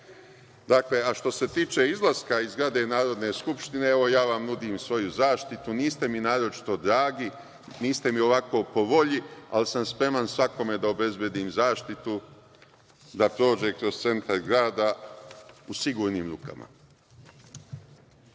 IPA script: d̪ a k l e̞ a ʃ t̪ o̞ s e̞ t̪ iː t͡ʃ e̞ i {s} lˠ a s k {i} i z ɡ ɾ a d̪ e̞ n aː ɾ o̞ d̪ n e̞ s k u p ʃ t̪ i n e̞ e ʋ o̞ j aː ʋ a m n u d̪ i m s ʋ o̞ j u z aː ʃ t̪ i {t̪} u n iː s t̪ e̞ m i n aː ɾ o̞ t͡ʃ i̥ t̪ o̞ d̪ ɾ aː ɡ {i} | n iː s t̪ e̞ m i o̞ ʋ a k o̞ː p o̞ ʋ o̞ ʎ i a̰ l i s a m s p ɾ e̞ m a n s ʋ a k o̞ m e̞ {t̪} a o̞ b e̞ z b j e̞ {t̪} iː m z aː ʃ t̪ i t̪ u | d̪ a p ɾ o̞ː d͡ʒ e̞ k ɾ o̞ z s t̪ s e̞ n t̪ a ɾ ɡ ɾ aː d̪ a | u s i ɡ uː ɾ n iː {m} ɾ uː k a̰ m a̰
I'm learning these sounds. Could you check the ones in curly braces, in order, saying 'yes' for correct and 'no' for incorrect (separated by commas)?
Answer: no, no, yes, yes, no, no, yes